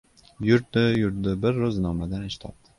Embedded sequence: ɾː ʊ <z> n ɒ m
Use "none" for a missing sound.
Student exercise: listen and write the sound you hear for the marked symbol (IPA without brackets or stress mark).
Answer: z